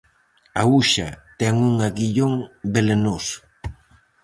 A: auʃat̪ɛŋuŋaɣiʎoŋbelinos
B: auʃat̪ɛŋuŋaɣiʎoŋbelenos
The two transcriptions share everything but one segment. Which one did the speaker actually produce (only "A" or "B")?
B